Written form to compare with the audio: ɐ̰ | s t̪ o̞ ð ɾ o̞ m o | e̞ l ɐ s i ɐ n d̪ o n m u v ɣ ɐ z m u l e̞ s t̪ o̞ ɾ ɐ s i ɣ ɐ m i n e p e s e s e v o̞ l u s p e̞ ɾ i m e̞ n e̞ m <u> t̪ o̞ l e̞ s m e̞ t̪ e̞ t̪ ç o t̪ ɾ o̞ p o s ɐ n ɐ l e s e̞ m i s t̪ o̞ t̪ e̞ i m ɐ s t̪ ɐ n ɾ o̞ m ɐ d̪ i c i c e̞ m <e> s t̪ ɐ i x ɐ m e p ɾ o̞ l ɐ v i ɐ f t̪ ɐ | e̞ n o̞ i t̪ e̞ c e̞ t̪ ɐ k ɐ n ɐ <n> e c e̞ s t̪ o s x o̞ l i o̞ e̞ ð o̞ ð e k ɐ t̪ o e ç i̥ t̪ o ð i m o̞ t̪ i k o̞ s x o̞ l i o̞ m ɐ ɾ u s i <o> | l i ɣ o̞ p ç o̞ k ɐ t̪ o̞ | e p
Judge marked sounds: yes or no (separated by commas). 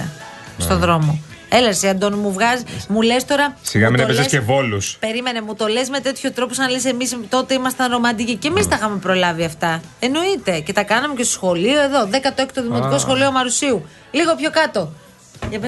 yes, no, no, no